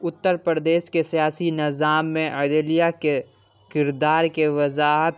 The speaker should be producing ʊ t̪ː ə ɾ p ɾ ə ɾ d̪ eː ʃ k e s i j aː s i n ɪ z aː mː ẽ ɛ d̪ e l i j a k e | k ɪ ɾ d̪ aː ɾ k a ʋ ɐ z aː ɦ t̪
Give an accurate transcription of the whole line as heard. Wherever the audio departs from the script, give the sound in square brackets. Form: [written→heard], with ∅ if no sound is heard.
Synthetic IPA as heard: ʊ t̪ː ə ɾ p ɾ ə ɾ d̪ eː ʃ k e s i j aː s i n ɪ z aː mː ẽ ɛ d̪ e l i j a k e | k ɪ ɾ d̪ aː ɾ k [a→e] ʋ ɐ z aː ɦ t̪